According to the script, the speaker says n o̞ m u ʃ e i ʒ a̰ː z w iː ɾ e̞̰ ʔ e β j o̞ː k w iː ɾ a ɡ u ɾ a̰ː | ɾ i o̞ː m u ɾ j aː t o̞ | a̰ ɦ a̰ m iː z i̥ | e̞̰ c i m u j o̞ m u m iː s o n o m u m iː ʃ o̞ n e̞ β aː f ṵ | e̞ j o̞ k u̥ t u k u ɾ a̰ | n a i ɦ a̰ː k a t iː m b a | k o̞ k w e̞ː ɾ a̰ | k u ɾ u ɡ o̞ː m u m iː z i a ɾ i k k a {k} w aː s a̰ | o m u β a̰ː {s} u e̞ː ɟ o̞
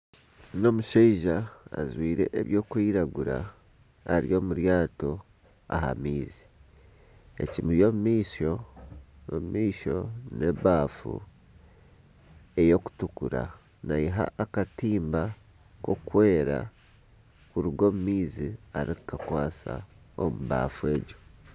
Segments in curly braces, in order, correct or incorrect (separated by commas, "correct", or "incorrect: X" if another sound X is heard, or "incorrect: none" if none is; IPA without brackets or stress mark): correct, incorrect: f